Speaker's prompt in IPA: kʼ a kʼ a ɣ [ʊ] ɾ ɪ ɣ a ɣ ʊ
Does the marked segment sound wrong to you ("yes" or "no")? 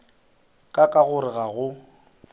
no